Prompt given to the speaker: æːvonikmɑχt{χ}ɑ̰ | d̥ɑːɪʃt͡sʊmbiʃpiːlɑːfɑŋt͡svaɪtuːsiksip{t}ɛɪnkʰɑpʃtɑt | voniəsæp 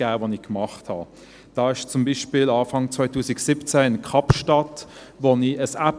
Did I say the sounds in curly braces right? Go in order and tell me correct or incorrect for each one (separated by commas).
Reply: incorrect, incorrect